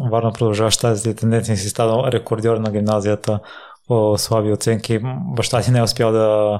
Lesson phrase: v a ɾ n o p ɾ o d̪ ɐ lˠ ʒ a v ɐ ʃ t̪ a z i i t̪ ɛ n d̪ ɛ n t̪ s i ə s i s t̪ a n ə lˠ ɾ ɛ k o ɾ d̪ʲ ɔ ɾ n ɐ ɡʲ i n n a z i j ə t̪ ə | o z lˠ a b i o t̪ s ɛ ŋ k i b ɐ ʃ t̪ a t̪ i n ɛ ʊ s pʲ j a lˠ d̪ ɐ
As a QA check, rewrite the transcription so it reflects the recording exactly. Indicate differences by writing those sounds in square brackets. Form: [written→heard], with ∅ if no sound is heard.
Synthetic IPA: v a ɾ n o p ɾ o d̪ ɐ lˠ ʒ a v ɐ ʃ t̪ a z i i t̪ ɛ n d̪ ɛ n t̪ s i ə s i s t̪ a n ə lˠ ɾ ɛ k o ɾ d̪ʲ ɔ ɾ n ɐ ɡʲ i [n→m] n a z i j ə t̪ ə | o [z→s] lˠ a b i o t̪ s ɛ ŋ k i b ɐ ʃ t̪ a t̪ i n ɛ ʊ s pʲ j a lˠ d̪ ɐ